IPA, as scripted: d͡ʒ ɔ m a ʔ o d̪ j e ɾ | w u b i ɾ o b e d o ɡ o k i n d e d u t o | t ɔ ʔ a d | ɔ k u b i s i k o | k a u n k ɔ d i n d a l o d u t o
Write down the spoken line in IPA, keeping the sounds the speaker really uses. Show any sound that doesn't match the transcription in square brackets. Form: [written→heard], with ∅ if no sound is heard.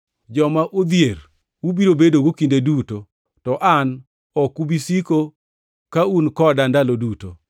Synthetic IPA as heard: d͡ʒ ɔ m a ʔ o d̪ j e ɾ | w u b i ɾ o b e d o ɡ o k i n d e d u t o | t ɔ ʔ a [d→n] | ɔ k u b i s i k o | k a u n k ɔ d [i→a] n d a l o d u t o